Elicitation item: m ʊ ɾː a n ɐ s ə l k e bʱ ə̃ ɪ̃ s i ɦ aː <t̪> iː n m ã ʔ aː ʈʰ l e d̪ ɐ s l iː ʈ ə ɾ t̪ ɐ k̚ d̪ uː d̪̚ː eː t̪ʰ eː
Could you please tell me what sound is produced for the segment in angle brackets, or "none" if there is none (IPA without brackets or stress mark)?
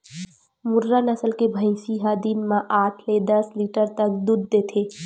d̪